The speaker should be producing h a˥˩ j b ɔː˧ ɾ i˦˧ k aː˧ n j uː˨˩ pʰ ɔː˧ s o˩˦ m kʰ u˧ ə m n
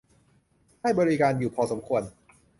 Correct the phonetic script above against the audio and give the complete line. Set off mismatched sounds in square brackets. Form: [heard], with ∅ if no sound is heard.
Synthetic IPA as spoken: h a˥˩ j b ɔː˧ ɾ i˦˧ k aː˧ n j uː˨˩ pʰ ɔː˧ s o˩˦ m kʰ u˧ ə [∅] n